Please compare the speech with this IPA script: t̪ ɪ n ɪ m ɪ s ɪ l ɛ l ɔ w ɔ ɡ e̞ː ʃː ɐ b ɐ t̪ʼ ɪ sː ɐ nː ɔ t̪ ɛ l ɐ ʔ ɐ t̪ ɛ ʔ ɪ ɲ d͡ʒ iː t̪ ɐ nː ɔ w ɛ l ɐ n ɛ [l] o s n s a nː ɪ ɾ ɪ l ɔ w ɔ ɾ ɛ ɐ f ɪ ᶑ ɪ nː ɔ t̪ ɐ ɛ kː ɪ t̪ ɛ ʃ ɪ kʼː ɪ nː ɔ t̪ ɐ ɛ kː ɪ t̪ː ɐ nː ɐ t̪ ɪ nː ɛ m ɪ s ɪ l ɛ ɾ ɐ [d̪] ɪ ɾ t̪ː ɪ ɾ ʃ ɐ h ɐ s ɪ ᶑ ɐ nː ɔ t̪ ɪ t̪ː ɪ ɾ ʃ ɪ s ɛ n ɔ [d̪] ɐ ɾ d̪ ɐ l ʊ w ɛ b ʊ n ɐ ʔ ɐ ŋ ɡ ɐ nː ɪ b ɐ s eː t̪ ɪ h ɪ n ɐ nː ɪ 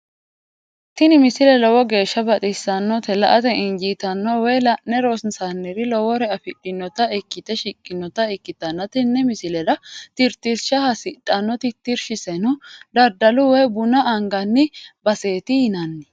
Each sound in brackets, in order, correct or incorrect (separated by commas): incorrect, incorrect, correct